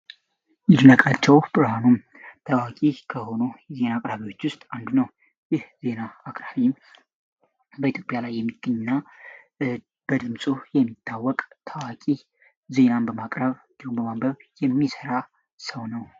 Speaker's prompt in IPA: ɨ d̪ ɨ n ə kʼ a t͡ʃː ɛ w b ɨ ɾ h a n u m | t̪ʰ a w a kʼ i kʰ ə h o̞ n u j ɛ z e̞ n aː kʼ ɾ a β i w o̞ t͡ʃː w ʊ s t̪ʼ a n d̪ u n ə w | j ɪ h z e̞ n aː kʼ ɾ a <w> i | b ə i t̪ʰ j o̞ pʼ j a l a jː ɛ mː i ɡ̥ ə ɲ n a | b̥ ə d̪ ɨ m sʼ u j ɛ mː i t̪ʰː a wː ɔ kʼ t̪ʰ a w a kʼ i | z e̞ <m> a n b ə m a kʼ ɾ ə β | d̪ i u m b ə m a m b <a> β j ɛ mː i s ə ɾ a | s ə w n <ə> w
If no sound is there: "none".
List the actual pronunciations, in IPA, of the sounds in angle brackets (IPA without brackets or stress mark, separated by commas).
β, n, ə, ə